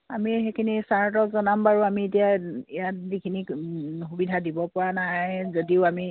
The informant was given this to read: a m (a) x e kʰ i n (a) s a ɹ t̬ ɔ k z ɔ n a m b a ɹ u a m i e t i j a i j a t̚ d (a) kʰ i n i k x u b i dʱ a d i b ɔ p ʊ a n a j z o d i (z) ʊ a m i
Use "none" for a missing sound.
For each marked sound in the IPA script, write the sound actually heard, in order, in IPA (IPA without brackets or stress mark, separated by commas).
i, i, i, none